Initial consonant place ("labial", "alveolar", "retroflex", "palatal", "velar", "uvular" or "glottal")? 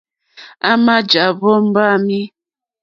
labial